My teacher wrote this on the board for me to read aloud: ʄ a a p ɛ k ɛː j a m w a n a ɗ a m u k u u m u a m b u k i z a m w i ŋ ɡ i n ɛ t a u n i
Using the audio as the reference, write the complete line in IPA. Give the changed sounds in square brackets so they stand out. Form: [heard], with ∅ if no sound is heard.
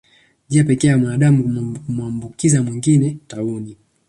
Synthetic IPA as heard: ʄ [i] a p ɛ k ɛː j a m w a n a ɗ a m u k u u m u a m b u k i z a m w i ŋ ɡ i n ɛ t a u n i